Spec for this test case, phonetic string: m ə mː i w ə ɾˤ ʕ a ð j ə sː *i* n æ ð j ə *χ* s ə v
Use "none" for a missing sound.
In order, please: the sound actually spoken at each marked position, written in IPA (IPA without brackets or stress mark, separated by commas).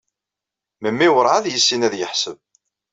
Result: i, ħ